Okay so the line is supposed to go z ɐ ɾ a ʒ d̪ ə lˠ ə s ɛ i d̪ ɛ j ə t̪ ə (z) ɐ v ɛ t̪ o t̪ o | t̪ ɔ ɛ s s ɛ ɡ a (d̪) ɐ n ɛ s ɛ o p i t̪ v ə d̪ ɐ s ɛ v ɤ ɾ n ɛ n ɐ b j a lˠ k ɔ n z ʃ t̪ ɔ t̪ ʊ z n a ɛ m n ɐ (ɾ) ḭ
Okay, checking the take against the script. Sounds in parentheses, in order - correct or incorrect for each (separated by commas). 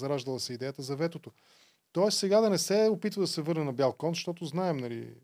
correct, correct, incorrect